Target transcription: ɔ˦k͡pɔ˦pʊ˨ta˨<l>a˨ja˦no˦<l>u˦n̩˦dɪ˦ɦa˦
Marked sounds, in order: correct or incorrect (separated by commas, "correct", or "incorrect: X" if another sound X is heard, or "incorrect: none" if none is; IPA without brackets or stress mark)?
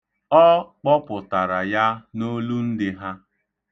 incorrect: ɾ, correct